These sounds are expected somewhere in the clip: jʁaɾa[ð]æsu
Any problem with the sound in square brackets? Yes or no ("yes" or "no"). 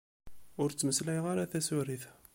yes